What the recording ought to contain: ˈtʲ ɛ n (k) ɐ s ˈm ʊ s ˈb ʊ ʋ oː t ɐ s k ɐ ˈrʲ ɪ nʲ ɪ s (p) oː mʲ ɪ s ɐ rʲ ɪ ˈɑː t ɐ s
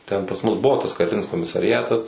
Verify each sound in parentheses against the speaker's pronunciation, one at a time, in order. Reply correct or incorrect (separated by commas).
incorrect, incorrect